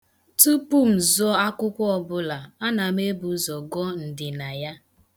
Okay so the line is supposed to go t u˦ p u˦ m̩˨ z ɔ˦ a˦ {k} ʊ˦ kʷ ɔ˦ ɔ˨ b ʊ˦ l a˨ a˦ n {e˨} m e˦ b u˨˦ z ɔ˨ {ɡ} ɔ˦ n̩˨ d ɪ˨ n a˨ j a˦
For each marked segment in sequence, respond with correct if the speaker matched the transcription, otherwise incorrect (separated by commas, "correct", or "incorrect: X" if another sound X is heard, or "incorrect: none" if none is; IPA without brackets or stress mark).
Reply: correct, incorrect: a˨, correct